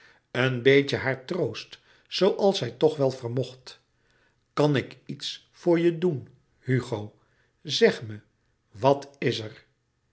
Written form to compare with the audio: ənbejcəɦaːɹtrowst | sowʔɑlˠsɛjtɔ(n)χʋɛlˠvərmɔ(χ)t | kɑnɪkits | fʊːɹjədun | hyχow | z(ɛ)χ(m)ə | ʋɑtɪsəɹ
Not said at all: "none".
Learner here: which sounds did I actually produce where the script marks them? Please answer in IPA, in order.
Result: none, χ, ɛ, m

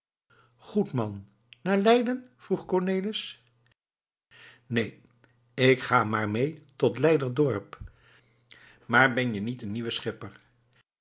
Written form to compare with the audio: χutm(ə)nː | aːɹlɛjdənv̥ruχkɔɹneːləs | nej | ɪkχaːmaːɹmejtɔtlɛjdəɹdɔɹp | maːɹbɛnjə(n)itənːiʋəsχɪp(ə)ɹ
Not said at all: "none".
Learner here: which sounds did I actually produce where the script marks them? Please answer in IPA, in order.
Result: ɑ, n, ə

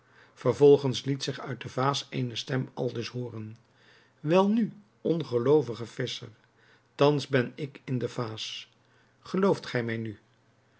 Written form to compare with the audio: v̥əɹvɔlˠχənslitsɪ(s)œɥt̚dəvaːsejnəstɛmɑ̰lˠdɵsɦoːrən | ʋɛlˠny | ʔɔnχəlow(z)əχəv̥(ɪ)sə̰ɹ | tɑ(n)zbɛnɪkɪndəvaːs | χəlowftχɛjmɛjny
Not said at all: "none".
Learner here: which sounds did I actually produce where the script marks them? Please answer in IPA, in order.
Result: χ, v, ɪ, n

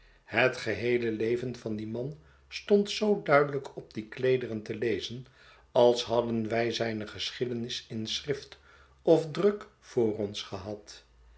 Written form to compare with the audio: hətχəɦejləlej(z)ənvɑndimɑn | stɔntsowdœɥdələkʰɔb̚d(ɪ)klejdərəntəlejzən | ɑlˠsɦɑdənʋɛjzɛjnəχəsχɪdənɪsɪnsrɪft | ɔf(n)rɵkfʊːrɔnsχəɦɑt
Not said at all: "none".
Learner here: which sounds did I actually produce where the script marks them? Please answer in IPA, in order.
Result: v, i, d

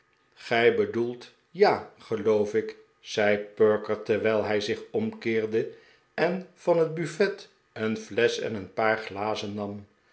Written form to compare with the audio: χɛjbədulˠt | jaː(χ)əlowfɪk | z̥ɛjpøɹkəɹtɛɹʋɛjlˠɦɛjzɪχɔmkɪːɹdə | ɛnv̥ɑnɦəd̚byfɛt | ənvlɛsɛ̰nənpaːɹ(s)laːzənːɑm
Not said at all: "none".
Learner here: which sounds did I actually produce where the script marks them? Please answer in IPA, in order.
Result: χ, χ

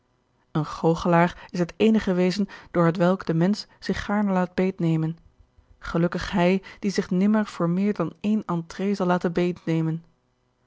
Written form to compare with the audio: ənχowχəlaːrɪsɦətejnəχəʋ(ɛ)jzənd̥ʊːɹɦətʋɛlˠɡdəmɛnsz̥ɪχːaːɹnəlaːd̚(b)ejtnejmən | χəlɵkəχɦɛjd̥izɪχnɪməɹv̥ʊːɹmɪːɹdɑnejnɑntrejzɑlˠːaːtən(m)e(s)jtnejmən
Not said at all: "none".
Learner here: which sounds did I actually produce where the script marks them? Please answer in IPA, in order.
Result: e, b, b, none

